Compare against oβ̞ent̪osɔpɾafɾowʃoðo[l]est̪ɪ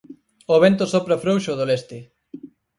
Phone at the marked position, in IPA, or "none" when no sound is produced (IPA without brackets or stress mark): l